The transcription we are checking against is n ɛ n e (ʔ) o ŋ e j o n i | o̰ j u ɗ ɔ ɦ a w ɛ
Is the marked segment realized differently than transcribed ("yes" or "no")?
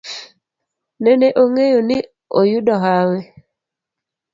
no